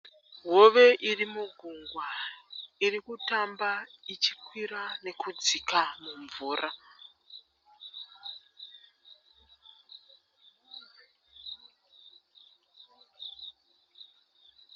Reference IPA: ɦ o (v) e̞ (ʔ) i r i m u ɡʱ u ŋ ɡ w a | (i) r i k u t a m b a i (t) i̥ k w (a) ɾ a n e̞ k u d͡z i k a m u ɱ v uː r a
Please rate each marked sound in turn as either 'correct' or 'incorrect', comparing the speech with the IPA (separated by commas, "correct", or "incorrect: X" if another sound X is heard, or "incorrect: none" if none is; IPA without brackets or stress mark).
incorrect: ʋ, correct, correct, incorrect: t͡ʃ, incorrect: i